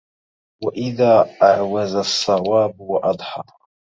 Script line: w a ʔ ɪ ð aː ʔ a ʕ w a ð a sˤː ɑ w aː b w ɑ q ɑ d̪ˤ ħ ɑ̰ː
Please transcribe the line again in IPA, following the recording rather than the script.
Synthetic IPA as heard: w a ʔ ɪ ð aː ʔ a ʕ w a z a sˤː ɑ w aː b w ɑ ʔ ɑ d̪ˤ ħ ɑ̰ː